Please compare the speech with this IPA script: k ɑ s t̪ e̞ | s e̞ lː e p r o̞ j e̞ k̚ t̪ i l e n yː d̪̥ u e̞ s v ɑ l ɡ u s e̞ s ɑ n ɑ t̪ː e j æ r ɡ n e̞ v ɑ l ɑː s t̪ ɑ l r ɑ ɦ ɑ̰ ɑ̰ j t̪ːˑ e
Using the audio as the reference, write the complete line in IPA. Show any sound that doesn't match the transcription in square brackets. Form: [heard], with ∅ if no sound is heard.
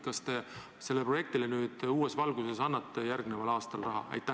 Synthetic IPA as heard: k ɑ s t̪ e̞ | s e̞ lː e p r o̞ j e̞ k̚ t̪ i l e n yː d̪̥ [uː] e̞ s v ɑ l ɡ u s e̞ s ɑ [nː] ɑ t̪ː e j æ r ɡ n e̞ v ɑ l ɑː s t̪ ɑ l r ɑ ɦ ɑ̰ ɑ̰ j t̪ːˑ [æ]